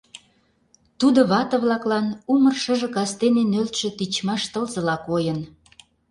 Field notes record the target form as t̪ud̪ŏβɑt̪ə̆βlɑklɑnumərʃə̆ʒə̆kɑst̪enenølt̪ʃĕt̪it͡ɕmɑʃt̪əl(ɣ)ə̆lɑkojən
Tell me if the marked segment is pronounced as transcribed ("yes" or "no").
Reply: no